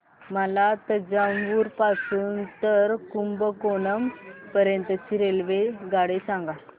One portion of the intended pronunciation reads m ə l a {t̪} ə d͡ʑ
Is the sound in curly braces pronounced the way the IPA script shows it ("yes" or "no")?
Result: yes